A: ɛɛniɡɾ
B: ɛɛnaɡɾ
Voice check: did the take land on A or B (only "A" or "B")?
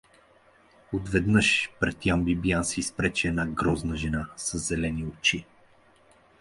B